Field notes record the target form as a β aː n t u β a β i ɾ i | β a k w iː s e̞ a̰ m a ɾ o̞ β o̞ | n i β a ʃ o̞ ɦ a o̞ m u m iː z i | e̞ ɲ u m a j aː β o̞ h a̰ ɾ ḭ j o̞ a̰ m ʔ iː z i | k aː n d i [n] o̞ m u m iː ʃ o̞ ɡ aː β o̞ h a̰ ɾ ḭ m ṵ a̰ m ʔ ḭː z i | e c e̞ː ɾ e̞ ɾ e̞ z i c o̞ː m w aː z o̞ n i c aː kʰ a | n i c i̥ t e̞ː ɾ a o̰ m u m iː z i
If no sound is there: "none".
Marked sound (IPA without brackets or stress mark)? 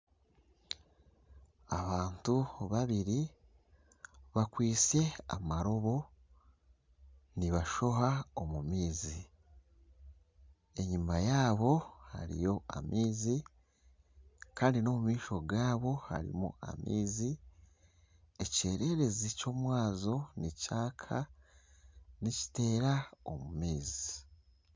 n